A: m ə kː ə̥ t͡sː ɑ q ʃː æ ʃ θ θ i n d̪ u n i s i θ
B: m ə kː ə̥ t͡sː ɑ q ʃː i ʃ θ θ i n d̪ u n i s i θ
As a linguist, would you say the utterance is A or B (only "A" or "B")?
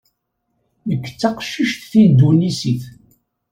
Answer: B